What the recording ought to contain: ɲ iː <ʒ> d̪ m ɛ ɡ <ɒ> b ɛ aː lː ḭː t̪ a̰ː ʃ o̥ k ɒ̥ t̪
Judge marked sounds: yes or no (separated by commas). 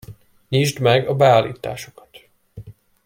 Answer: yes, yes